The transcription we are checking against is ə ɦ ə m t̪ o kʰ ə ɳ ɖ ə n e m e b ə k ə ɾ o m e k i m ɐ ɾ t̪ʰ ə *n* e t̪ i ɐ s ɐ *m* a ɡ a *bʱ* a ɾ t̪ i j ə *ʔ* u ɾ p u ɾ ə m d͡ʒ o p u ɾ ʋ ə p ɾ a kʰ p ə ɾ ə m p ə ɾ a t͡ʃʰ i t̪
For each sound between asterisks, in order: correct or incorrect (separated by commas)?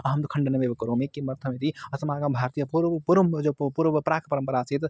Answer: incorrect, correct, correct, incorrect